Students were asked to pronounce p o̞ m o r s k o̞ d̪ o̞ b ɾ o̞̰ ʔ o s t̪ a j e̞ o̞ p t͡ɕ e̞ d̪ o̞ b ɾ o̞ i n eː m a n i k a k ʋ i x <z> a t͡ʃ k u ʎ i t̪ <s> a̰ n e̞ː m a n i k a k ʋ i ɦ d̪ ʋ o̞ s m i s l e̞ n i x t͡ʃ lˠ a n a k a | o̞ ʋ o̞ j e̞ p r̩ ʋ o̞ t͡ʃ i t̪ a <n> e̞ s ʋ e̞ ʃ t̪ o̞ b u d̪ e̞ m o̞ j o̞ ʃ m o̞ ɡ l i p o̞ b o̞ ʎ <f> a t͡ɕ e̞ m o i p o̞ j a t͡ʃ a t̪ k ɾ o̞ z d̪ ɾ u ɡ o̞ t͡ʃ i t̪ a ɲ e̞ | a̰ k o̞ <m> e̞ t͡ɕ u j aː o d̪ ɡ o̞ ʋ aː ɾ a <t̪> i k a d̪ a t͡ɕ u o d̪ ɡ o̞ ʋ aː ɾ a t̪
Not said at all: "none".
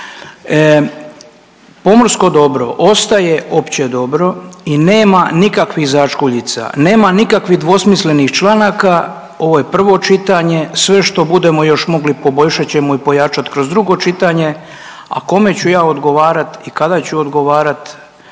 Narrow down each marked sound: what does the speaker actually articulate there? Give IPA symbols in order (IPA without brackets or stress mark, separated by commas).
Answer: z, s, ɲ, ʃ, m, t̪